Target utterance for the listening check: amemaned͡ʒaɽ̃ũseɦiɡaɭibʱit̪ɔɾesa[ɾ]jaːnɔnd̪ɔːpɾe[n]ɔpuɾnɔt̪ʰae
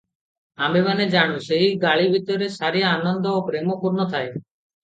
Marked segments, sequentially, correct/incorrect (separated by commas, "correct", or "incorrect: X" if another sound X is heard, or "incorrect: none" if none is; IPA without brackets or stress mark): correct, incorrect: m